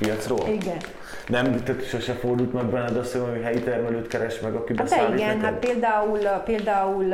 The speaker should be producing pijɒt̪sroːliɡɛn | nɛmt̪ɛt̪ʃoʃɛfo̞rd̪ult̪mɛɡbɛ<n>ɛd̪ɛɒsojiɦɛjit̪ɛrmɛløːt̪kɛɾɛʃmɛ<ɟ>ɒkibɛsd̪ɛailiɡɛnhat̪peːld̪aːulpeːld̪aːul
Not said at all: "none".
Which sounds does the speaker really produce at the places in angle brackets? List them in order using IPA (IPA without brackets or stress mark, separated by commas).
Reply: nː, ɡ